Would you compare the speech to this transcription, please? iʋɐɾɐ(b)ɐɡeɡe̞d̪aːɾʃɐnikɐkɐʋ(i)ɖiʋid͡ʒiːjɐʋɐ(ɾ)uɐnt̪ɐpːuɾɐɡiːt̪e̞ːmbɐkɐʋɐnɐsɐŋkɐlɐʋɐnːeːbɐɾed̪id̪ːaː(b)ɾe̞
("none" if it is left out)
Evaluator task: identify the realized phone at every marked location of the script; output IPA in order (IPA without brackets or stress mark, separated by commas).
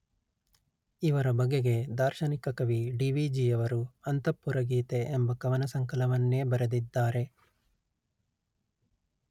b, i, ɾ, none